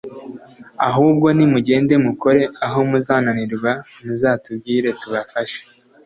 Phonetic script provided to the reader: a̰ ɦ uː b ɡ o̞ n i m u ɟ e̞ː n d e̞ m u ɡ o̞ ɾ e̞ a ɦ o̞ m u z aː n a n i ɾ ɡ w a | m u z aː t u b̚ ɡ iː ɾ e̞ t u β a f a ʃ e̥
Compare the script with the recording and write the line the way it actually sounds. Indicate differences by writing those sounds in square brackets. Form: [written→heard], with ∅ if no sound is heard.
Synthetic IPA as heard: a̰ ɦ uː b ɡ o̞ n i m u ɟ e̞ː n d e̞ m u [ɡ→k] o̞ ɾ e̞ a ɦ o̞ m u z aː n a n i ɾ ɡ w a | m u z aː t u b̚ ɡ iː ɾ e̞ t u β a f a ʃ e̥